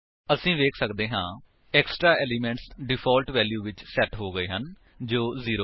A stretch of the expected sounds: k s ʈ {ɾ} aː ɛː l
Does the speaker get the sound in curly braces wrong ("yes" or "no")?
no